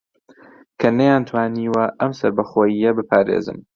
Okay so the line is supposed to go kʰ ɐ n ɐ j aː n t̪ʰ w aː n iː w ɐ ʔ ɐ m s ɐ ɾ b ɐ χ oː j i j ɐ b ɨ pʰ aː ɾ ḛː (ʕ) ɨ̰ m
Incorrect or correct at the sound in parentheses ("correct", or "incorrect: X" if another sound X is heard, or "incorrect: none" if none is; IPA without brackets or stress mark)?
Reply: incorrect: z